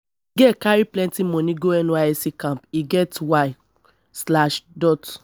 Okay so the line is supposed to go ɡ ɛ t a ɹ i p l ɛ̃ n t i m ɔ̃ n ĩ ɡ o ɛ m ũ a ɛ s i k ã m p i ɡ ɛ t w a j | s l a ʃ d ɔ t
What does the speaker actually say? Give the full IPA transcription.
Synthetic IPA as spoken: ɡ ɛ k a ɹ i p l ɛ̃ n t i m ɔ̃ n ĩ ɡ o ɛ n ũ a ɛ s i k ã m p i ɡ ɛ t w a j | s l a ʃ d ɔ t